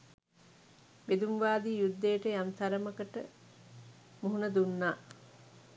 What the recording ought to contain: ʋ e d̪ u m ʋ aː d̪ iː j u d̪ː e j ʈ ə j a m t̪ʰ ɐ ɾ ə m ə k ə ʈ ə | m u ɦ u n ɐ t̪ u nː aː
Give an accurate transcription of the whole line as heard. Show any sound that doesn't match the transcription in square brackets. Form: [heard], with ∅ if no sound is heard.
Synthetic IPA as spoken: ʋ e d̪ u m ʋ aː d̪ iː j u d̪ː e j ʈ ə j a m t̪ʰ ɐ ɾ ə m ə k ə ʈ ə | m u ɦ u n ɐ [d̪] u nː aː